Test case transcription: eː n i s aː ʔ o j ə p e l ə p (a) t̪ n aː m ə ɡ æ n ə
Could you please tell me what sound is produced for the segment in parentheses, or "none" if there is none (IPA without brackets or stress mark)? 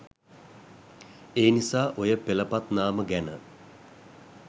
a